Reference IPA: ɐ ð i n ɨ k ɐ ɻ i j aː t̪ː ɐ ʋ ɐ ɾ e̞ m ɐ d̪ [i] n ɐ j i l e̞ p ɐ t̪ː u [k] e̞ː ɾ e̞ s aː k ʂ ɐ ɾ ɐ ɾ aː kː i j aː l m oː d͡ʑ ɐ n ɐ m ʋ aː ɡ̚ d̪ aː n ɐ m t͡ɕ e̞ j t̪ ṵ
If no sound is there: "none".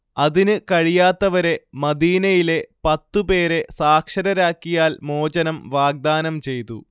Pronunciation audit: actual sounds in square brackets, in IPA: iː, p

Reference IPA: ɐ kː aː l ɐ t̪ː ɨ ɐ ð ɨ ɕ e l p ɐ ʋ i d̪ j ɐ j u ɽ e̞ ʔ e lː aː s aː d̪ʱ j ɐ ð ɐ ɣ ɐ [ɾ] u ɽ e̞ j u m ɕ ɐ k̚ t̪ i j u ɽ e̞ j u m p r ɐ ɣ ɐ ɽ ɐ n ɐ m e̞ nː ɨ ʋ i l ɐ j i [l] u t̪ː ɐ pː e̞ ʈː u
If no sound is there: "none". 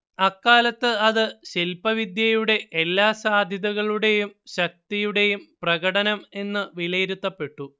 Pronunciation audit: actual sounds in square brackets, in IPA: ɭ, ɾ

